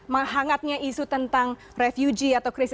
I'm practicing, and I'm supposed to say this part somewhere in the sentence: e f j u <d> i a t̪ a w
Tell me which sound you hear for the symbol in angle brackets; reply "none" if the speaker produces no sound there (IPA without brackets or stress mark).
d͡ʒ